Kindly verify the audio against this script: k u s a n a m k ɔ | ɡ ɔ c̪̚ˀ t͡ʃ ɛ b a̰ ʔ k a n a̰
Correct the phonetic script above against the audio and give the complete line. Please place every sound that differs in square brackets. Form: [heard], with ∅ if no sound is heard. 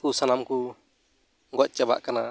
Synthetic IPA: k u s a n a m k [u] | ɡ ɔ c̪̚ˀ t͡ʃ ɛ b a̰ ʔ k a n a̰